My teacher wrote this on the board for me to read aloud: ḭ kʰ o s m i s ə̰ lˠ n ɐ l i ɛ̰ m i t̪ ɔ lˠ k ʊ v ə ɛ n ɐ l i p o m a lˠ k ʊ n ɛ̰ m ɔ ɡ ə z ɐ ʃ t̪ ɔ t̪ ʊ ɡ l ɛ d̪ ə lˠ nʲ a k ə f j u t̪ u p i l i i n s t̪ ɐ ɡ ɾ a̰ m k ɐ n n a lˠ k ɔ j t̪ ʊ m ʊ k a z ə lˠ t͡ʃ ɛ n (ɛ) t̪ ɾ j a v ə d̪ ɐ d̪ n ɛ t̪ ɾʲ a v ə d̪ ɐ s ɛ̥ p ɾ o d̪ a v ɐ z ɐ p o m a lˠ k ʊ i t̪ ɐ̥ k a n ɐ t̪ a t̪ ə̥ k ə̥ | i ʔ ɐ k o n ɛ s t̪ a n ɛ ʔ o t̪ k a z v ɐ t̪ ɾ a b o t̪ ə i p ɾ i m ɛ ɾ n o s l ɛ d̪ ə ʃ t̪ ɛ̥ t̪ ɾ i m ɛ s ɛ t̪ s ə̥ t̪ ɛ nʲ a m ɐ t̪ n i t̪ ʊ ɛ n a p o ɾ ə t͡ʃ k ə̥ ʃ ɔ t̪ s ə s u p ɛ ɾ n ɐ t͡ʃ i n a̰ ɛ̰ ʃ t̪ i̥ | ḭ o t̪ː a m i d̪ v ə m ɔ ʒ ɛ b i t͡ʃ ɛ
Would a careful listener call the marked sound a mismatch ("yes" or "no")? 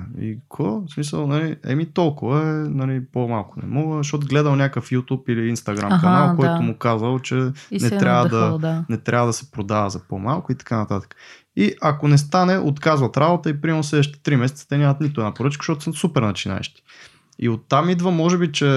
no